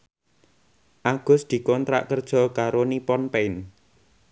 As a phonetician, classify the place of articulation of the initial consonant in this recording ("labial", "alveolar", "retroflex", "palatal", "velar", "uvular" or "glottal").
glottal